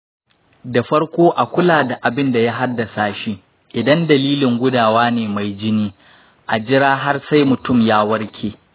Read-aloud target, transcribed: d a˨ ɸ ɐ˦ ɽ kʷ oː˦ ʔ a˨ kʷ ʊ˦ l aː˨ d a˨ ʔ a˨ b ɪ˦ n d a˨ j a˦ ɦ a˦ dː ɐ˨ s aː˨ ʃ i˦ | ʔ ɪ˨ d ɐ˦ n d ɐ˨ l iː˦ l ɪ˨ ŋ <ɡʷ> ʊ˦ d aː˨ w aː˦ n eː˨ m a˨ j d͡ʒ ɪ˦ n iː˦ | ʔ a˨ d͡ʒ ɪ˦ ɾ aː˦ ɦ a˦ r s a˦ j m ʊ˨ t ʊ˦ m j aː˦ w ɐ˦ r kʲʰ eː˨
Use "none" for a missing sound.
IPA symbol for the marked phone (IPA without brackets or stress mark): ɡʷ